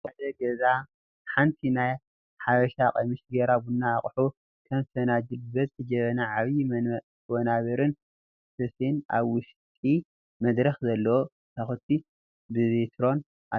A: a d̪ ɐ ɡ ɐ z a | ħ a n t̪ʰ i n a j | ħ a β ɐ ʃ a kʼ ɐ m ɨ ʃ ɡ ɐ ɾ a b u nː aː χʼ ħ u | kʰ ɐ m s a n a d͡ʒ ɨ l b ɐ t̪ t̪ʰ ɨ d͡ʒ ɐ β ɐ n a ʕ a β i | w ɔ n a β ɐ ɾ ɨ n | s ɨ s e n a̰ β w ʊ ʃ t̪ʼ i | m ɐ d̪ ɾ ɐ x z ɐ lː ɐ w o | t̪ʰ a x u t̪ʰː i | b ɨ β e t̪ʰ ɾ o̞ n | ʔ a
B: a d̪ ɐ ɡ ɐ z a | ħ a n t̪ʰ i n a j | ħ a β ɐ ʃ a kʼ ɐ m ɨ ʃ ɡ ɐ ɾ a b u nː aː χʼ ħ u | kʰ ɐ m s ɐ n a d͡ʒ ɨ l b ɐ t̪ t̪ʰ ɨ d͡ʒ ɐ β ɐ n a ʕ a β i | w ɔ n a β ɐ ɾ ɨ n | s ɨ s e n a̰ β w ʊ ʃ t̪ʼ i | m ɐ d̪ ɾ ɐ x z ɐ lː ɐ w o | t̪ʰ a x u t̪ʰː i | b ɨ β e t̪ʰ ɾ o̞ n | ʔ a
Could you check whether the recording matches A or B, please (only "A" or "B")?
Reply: B